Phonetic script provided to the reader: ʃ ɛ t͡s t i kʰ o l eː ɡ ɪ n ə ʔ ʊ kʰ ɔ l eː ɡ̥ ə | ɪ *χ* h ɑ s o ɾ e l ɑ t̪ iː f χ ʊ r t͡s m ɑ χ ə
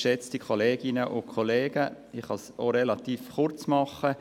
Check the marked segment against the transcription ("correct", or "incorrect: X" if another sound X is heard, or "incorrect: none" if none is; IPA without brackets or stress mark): correct